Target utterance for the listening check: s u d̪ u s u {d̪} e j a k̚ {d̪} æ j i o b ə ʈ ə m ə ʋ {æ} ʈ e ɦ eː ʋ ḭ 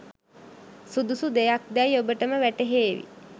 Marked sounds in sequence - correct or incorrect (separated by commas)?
correct, correct, correct